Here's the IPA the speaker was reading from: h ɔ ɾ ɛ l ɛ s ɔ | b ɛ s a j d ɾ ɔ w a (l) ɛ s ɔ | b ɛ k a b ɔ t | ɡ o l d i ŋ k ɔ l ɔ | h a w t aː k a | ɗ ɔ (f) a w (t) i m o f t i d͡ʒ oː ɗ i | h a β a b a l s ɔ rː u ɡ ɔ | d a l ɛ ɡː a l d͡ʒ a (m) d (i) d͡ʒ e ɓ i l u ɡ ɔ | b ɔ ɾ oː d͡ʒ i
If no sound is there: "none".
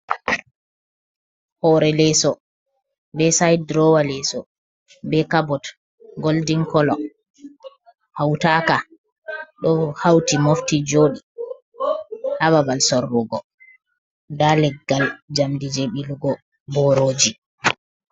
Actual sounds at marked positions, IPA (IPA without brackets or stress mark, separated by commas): l, h, t, m, i